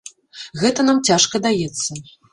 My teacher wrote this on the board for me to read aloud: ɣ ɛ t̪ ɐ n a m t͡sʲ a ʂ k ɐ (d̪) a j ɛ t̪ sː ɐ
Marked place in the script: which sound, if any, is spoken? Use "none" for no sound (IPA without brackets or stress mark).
d̪